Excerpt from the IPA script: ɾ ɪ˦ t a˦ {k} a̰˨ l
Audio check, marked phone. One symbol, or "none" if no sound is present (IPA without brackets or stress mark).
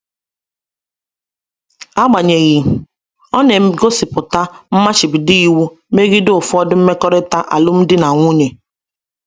ʔ